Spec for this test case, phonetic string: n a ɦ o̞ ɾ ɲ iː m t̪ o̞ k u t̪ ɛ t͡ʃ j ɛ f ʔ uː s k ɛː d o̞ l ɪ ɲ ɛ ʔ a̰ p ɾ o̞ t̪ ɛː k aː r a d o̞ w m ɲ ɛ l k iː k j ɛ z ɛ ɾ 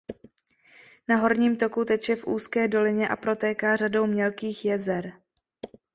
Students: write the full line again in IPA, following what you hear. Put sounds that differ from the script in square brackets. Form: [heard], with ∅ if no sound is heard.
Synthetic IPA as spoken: n a ɦ o̞ ɾ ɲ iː m t̪ o̞ k u t̪ ɛ t͡ʃ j ɛ f ʔ uː s k ɛː d o̞ l ɪ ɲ ɛ ʔ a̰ p ɾ o̞ t̪ ɛː k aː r a d o̞ w m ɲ ɛ l k iː [x] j ɛ z ɛ ɾ